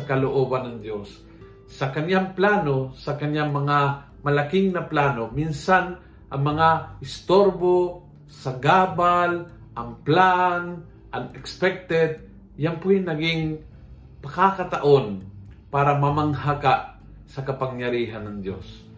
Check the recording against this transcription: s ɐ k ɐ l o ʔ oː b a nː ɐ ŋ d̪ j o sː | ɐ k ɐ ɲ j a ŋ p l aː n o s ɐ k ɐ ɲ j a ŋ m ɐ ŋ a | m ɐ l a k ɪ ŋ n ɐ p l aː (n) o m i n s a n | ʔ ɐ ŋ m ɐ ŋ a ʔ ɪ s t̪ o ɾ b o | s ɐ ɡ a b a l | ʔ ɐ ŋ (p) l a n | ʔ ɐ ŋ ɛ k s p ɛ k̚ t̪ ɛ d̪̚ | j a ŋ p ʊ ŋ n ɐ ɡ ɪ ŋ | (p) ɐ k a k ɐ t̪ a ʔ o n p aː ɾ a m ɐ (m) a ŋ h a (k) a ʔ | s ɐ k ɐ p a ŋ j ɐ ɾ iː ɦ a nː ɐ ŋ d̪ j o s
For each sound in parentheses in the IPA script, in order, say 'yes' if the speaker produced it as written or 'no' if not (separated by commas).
yes, yes, yes, yes, yes